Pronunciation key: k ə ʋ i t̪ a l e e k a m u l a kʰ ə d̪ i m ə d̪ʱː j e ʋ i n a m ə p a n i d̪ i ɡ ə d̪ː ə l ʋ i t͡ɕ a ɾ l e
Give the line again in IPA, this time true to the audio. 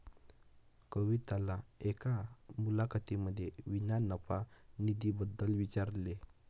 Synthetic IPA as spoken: k ə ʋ i t̪ a l a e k a m u l a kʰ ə t̪ i m ə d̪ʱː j e ʋ i n a n ə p a n i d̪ i b ə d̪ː ə l ʋ i t͡ɕ a ɾ l e